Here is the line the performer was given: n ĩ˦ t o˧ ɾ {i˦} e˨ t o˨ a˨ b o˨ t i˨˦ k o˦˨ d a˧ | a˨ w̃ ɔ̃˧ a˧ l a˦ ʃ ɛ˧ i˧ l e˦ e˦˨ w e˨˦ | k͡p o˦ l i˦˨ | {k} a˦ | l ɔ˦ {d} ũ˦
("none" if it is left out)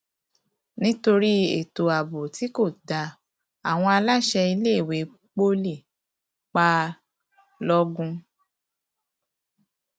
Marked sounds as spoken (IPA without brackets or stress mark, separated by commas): i˦, k͡p, ɡ